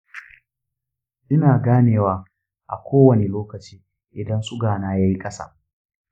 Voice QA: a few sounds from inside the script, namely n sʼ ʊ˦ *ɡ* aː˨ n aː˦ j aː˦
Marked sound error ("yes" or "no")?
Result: no